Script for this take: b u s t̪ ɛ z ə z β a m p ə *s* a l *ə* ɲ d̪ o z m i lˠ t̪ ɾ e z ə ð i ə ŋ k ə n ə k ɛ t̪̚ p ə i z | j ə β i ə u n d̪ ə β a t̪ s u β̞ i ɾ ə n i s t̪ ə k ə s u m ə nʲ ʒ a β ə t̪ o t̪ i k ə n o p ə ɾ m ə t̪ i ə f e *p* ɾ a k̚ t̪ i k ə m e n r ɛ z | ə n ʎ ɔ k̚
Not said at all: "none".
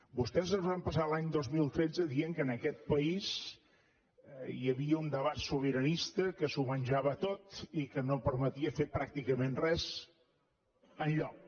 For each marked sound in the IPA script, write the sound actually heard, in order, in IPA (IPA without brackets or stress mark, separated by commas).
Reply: s, a, p